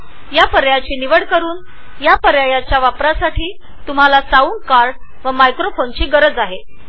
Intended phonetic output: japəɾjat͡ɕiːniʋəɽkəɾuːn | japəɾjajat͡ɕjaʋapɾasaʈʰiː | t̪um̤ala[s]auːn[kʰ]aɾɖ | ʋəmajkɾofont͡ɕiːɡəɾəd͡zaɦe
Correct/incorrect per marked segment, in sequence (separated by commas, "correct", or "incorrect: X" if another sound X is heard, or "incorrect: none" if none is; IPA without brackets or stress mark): correct, incorrect: k